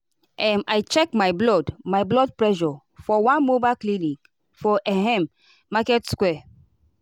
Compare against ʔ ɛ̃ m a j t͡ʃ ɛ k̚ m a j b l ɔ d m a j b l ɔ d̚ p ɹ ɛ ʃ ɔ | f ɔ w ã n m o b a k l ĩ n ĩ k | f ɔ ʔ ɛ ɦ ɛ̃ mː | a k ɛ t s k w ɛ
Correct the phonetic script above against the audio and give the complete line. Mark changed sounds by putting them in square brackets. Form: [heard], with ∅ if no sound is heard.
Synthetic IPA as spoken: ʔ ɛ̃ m a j t͡ʃ ɛ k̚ m a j b l ɔ d m a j b l ɔ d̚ p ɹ ɛ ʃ ɔ | f ɔ w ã n m o b a k l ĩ n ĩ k | f ɔ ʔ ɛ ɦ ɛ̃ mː | a k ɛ t s k w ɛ